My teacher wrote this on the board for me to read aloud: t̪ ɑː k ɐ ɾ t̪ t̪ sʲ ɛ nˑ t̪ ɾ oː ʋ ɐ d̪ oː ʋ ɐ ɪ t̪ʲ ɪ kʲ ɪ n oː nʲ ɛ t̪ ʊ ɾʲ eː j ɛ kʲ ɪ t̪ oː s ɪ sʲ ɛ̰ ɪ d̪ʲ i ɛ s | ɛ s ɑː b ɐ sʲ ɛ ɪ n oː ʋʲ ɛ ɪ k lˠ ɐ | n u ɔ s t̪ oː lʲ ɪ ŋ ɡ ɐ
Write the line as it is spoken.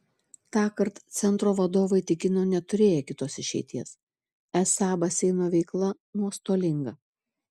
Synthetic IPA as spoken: t̪ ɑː k ɐ ɾ t̪ t̪ sʲ ɛ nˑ t̪ ɾ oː ʋ ɐ d̪ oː ʋ ɐ ɪ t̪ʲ ɪ kʲ ɪ n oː nʲ ɛ t̪ ʊ ɾʲ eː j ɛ kʲ ɪ t̪ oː s ɪ ʃʲ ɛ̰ ɪ t̪ʲ i ɛ s | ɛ s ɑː b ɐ sʲ ɛ ɪ n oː ʋʲ ɛ ɪ k lˠ ɐ | n u ɔ s t̪ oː lʲ ɪ ŋ ɡ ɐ